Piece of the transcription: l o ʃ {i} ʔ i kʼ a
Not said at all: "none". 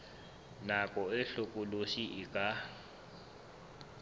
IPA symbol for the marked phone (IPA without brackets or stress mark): i